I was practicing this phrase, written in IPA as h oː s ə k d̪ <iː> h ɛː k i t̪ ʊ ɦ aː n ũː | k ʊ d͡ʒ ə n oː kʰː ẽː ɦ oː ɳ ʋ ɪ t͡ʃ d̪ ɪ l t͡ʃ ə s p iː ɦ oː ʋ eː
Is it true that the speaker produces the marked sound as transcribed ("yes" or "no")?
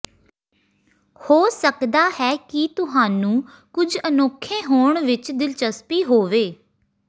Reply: no